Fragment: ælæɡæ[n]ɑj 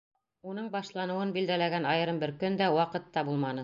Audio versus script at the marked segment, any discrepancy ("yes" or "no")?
no